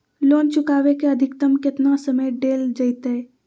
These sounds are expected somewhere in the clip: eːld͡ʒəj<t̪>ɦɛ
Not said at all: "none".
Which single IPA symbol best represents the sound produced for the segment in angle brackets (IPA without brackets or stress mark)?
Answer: t̪